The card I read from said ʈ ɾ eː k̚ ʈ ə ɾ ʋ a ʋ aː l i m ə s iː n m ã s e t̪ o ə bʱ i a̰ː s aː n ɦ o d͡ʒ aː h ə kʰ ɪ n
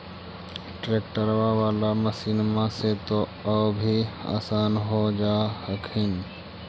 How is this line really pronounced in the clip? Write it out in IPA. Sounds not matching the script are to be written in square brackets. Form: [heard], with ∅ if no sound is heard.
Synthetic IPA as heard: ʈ ɾ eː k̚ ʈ ə ɾ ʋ a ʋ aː l [a] m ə s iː n m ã s e t̪ o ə bʱ i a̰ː s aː n ɦ o d͡ʒ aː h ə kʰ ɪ n